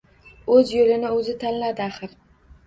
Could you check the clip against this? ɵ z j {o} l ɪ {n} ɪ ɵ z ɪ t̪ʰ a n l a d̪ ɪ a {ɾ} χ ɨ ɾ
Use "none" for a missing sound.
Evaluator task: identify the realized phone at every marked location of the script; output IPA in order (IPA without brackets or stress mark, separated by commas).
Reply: o, n, none